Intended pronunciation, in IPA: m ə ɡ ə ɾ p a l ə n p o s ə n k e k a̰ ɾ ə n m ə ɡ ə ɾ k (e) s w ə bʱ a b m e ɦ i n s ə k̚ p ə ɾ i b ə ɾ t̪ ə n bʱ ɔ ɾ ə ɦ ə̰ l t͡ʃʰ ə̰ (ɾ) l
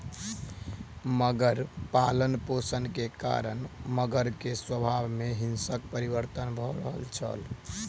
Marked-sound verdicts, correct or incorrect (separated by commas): correct, incorrect